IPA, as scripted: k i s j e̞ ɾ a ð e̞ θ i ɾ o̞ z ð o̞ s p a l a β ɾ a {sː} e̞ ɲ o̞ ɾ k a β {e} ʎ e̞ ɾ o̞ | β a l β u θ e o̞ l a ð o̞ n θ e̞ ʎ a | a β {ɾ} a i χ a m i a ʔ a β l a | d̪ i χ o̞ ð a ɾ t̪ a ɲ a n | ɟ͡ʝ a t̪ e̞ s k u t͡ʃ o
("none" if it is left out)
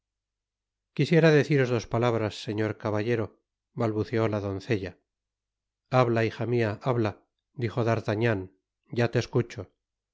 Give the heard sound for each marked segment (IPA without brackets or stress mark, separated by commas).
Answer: sː, a, l